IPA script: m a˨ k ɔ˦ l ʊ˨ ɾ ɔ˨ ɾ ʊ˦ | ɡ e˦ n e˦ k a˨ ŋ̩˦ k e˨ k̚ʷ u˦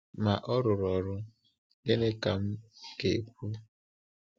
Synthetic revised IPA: m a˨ ʔ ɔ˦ ɾ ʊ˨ ɾ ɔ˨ ɾ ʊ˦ | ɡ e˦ n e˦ k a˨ m̩˦ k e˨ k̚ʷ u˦